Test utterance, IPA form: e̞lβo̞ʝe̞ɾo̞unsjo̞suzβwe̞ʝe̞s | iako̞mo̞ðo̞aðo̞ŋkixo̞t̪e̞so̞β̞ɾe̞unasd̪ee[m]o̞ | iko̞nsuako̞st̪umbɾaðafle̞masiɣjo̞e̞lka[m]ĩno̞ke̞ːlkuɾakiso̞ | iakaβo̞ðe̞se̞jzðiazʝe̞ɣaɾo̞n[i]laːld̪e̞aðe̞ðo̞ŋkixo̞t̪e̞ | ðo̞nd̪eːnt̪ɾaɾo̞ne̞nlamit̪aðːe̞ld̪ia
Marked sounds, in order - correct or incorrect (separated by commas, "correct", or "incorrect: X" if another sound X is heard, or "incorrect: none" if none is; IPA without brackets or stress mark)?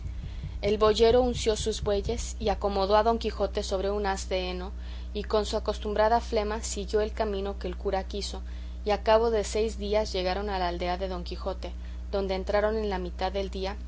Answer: incorrect: n, correct, incorrect: a